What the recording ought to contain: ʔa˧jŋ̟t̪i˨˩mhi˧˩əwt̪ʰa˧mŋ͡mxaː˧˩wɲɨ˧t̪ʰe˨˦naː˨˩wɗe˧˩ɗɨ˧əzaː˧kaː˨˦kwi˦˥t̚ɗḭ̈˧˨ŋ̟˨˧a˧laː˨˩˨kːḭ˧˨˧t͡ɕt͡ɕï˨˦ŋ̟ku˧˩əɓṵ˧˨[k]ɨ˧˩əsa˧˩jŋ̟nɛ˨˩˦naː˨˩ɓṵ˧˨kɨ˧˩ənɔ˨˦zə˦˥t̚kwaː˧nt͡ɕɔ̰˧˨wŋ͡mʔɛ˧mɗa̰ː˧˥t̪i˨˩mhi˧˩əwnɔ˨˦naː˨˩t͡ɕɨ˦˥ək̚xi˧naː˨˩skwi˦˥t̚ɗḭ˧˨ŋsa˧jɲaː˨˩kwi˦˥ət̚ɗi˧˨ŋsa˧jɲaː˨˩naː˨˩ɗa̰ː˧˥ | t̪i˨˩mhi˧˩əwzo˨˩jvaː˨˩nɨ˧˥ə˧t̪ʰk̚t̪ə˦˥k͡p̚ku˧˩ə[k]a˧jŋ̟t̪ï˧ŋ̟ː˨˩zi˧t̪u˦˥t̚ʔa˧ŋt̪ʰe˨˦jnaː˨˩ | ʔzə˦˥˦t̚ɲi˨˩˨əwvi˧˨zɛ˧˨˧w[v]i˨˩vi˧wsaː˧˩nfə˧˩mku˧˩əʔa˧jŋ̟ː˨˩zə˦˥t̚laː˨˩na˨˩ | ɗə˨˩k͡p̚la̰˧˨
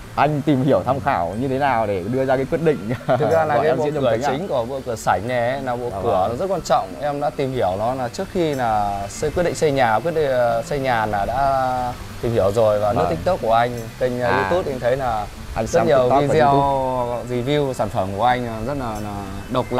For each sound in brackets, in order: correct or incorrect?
correct, incorrect: ʔ, incorrect: z

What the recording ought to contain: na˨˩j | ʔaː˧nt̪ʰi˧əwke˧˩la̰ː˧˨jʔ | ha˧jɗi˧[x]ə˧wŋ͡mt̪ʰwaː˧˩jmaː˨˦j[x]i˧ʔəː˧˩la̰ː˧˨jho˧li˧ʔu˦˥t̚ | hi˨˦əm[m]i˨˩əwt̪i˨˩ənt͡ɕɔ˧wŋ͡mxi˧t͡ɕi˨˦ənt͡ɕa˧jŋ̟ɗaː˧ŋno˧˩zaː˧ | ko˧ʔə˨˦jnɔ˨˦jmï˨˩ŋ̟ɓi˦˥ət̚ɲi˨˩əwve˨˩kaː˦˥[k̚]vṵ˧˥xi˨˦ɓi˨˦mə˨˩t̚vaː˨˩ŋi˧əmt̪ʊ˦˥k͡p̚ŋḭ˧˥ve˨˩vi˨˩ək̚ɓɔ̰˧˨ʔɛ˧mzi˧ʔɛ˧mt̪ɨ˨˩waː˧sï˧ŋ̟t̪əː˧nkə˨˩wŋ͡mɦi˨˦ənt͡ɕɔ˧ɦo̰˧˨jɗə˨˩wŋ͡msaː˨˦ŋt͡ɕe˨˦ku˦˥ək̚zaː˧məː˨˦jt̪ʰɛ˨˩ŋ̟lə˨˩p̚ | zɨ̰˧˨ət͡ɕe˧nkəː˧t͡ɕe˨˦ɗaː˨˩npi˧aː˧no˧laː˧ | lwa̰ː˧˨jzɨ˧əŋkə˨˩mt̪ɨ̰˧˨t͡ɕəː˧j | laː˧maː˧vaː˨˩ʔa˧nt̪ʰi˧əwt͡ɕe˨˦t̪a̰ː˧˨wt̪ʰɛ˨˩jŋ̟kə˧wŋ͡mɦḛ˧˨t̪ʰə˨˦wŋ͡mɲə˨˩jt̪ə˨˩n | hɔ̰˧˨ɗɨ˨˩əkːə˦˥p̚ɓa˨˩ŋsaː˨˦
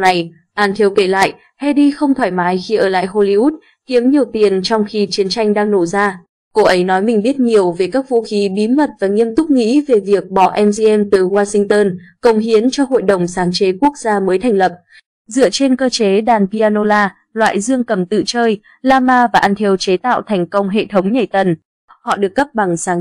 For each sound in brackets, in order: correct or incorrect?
correct, correct, incorrect: ɲ, correct

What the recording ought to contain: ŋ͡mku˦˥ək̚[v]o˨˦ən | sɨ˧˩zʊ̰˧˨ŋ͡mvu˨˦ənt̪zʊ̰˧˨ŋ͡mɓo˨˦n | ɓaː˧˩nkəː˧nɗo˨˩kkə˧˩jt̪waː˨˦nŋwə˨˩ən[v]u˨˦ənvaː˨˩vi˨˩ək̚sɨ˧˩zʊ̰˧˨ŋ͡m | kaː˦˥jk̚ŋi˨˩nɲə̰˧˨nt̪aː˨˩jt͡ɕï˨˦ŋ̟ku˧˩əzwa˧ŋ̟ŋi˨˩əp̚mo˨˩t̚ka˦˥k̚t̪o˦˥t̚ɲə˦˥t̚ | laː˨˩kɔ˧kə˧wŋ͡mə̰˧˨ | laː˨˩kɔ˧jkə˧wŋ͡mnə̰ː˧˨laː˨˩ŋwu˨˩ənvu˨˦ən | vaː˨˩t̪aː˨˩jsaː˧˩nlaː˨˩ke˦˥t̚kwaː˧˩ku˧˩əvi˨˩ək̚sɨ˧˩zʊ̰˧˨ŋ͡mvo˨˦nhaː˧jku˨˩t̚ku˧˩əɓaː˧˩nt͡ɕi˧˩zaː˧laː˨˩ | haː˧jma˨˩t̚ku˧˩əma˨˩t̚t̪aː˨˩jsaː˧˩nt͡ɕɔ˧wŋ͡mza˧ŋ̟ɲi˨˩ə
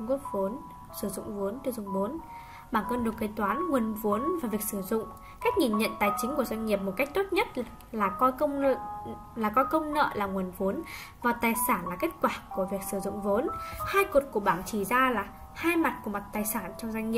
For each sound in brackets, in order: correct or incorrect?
correct, correct

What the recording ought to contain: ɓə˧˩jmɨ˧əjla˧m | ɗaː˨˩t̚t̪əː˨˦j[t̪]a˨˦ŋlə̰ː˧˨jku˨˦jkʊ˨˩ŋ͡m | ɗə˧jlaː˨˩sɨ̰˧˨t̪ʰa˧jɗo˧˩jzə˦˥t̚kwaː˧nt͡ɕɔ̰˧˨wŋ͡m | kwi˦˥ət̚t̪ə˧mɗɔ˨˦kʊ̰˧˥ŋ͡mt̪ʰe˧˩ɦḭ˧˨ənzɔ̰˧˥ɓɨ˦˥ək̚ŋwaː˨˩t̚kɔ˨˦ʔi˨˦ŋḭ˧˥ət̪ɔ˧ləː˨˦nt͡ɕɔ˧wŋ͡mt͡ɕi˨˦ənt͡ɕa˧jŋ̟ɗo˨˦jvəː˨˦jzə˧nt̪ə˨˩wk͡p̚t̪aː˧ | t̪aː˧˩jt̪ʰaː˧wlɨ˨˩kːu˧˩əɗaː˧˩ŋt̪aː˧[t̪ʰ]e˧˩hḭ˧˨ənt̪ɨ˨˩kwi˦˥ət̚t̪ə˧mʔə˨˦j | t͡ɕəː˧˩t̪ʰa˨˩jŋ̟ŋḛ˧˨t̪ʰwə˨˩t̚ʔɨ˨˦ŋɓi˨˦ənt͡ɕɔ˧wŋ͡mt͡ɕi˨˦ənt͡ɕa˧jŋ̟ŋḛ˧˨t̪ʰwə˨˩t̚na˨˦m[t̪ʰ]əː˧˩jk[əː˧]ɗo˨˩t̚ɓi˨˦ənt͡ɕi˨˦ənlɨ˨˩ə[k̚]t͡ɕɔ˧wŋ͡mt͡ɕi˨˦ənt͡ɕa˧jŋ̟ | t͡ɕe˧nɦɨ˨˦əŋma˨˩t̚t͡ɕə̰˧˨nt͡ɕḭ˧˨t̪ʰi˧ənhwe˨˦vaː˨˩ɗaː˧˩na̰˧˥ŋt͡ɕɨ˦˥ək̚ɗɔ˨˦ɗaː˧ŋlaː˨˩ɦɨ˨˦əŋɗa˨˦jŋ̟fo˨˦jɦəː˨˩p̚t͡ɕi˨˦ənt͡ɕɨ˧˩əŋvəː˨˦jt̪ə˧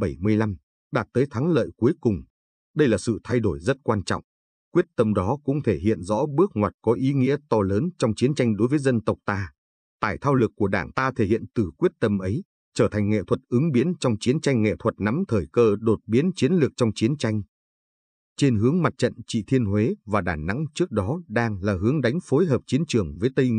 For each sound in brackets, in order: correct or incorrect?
incorrect: t̪ʰ, correct, correct, correct, correct

